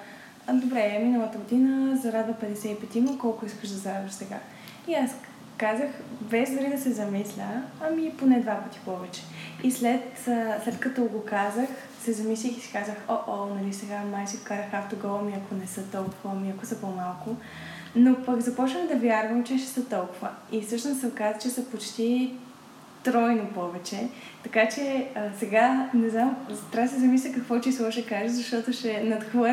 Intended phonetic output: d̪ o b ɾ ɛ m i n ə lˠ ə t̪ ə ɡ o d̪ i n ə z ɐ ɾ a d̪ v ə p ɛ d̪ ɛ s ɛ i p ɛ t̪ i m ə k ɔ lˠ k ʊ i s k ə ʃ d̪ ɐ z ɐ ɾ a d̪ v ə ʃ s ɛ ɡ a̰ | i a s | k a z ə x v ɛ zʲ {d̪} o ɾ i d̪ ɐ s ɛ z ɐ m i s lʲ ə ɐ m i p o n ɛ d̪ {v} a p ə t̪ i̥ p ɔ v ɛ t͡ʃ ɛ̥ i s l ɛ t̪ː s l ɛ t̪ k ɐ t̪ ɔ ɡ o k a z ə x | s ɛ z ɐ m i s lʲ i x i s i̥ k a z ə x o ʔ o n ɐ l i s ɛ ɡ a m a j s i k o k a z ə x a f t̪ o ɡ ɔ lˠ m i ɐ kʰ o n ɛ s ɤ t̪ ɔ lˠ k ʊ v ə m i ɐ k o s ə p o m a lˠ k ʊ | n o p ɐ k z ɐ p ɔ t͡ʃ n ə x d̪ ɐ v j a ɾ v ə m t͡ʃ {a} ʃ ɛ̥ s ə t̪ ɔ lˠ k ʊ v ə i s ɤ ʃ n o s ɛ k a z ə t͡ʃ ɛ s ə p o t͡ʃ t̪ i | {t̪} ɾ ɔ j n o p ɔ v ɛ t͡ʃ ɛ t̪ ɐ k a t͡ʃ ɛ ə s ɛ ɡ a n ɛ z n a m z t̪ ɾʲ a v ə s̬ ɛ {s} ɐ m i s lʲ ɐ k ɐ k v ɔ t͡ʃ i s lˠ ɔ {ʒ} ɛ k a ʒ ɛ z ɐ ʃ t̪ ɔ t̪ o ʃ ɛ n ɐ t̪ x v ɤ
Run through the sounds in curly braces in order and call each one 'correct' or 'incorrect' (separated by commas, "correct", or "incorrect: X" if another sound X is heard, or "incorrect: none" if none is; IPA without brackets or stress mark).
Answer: correct, correct, incorrect: ɛ, correct, incorrect: z, incorrect: ʃ